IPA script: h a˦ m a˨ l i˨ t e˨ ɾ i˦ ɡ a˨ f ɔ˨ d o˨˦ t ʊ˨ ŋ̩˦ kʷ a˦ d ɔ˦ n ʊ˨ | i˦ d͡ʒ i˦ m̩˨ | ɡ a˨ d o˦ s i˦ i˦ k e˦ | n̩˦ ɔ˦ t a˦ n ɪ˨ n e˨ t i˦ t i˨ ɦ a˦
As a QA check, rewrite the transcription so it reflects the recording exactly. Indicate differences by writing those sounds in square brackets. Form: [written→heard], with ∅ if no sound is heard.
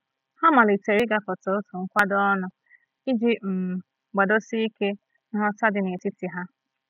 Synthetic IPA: h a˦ m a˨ l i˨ t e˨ ɾ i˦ ɡ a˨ f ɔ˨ [d→t] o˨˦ t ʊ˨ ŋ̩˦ kʷ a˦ d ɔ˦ n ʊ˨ | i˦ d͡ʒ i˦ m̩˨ | [ɡ→ɡ͡b] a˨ d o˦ s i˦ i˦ k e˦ | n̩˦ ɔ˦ t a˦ [n→d] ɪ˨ n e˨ t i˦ t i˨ ɦ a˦